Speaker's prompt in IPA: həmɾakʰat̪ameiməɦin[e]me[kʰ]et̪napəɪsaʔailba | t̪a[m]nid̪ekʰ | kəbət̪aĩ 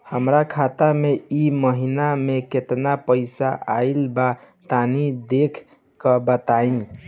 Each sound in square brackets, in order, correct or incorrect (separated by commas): incorrect, incorrect, incorrect